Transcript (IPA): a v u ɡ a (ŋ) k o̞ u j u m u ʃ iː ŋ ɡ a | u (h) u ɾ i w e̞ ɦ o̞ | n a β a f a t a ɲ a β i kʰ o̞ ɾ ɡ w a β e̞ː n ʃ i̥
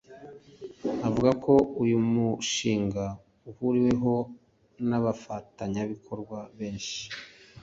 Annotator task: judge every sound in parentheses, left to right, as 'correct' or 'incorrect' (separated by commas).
incorrect, correct